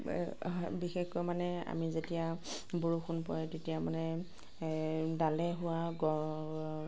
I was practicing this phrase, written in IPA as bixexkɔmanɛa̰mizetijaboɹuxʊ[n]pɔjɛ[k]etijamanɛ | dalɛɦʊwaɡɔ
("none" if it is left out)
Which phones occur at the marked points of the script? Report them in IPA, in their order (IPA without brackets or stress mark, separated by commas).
n, t